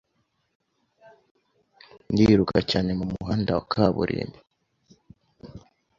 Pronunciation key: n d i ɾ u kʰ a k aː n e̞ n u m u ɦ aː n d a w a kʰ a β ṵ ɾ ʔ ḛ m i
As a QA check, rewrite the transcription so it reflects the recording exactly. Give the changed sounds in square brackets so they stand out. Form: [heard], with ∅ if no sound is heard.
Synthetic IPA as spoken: n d i ɾ u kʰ a [c] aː n e̞ [m] u m u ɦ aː n d a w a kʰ a β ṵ ɾ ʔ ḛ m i